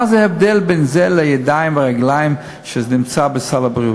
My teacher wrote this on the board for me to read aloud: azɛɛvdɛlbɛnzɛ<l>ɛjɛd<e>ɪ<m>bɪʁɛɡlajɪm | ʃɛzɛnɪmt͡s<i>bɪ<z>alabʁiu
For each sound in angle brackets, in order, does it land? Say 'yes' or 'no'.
yes, no, yes, no, no

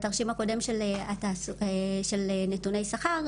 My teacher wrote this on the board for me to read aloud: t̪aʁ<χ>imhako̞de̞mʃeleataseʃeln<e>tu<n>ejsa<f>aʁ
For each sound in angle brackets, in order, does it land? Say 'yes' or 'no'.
no, yes, yes, no

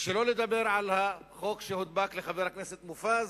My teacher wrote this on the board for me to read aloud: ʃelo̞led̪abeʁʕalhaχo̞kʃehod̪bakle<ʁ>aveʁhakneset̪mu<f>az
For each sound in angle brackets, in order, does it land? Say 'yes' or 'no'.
no, yes

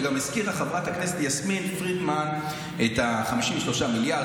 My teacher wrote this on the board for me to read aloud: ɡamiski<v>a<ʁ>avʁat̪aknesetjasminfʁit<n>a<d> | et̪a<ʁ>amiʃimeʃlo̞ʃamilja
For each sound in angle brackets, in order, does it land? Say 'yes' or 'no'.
no, no, no, no, no

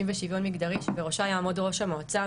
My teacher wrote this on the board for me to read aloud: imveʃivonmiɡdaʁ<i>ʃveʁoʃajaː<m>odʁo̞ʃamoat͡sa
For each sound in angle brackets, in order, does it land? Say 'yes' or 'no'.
yes, yes

